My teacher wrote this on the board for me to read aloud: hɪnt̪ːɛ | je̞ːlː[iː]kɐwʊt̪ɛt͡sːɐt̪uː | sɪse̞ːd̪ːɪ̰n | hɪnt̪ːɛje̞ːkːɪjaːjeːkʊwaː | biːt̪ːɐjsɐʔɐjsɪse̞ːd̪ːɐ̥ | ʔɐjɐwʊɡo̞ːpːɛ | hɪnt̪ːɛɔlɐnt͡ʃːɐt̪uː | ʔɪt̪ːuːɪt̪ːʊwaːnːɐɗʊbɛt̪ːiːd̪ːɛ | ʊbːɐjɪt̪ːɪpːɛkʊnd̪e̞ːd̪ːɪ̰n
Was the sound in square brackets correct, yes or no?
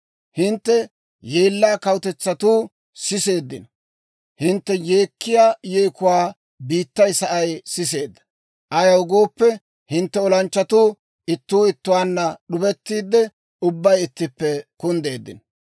no